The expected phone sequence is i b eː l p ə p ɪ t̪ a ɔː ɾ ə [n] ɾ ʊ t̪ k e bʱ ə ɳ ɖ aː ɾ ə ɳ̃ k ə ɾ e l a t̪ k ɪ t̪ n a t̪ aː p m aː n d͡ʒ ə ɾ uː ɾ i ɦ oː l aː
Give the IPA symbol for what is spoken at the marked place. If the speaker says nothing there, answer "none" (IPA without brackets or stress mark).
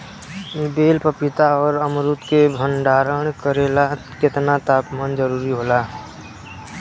m